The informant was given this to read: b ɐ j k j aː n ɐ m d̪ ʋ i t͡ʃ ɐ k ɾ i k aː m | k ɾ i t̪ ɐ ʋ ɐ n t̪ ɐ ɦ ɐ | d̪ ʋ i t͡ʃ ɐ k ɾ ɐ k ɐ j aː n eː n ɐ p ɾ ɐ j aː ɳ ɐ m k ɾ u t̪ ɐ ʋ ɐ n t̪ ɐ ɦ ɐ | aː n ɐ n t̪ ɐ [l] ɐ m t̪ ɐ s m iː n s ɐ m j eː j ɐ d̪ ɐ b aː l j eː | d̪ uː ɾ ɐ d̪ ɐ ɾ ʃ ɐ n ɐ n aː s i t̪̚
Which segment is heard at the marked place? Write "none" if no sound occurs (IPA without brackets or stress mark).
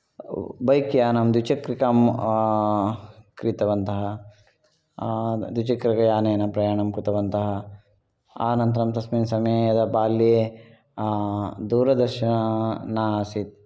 ɾ